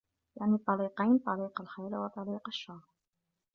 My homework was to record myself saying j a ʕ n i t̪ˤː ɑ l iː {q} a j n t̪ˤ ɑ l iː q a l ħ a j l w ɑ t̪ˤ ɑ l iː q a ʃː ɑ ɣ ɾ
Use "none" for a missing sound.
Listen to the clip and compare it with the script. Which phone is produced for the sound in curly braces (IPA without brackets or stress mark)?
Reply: q